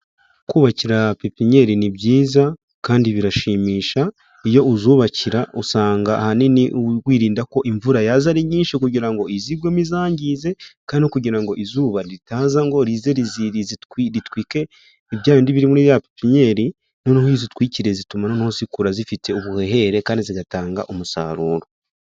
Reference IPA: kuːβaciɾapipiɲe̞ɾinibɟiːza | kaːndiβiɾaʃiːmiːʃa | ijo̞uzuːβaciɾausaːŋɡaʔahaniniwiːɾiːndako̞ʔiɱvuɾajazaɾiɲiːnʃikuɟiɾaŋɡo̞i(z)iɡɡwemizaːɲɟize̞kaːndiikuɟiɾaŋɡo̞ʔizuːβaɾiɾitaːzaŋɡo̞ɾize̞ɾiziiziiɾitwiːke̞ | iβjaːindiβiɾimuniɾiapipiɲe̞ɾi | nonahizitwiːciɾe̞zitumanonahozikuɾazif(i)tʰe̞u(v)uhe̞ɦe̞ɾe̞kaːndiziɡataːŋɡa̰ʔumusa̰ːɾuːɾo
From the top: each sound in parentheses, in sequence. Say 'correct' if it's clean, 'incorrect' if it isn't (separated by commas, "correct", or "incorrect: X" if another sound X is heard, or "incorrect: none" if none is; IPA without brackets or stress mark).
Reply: correct, correct, incorrect: β